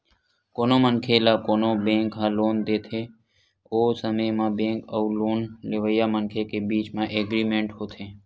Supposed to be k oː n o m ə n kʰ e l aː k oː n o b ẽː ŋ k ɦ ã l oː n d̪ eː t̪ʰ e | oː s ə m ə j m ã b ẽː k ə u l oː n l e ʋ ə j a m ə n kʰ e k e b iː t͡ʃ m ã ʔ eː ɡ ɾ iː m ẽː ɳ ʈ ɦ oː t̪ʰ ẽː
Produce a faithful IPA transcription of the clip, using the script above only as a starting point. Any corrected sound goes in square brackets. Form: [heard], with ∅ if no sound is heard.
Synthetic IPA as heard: k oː n o m ə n kʰ e l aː k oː n o b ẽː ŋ k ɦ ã l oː n d̪ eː t̪ʰ e | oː s ə m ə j m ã b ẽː k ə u l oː n l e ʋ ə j a m ə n kʰ e k e b iː t͡ʃ m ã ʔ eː ɡ ɾ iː m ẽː ɳ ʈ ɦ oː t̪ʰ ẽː